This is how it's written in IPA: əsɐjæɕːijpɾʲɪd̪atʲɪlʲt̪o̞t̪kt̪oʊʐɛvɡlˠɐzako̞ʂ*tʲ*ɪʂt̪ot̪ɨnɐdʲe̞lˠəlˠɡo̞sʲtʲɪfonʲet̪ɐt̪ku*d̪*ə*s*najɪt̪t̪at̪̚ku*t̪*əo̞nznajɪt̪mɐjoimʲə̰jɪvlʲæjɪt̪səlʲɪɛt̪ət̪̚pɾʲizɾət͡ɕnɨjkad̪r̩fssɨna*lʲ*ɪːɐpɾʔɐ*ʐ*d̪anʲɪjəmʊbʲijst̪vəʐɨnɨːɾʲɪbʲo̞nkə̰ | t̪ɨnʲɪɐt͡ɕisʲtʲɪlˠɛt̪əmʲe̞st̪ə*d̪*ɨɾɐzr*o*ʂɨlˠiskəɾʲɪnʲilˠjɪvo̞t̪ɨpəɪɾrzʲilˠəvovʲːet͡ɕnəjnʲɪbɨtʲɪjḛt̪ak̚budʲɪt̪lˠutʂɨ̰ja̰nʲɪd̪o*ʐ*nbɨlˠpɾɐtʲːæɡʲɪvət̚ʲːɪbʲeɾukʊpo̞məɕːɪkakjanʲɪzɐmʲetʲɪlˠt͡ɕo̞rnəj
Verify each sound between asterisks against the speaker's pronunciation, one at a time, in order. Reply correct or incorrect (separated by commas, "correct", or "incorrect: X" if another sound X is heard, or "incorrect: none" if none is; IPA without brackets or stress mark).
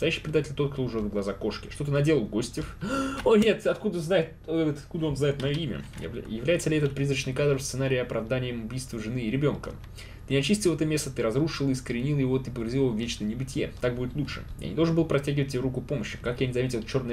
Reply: incorrect: kʲ, correct, incorrect: z, incorrect: d̪, incorrect: ɾʲ, incorrect: v, incorrect: t̪, incorrect: u, correct